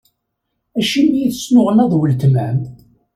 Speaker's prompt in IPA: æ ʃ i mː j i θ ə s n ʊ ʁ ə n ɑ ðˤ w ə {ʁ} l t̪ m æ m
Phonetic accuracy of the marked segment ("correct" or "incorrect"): incorrect